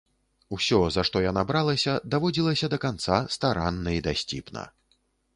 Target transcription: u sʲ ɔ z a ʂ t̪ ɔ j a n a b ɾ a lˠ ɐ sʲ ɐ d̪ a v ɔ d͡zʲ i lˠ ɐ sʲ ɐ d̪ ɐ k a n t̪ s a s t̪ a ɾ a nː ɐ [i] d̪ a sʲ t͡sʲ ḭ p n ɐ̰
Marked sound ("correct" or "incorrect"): correct